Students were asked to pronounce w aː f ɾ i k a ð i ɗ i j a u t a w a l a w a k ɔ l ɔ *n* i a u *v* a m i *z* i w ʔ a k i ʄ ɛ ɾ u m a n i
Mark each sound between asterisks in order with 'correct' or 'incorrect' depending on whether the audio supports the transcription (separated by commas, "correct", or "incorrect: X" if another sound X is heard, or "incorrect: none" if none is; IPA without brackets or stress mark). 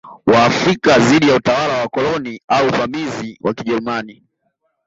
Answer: correct, correct, correct